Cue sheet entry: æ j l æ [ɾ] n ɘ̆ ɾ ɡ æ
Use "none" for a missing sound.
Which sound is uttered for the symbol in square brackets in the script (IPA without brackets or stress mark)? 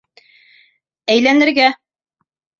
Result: none